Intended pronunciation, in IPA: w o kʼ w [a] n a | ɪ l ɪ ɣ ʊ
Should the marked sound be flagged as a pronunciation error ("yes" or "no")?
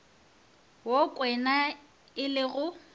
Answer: yes